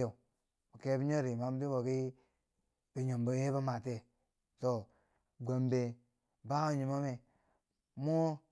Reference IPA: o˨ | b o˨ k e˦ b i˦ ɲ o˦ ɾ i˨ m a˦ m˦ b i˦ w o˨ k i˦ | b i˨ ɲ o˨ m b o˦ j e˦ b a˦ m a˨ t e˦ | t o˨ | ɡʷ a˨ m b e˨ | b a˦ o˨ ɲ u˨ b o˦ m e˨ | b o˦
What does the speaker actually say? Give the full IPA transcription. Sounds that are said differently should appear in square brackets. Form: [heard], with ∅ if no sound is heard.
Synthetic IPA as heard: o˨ | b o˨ k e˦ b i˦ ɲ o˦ ɾ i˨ m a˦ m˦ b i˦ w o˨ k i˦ | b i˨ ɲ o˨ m b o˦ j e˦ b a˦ m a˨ t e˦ | t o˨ | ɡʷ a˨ m b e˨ | b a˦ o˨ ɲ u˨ [m] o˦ m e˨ | [m] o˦